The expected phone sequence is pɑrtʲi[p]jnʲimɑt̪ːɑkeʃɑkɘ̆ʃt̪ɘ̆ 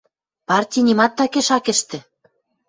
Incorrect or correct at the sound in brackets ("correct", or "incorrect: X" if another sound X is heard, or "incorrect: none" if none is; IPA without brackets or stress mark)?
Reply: incorrect: none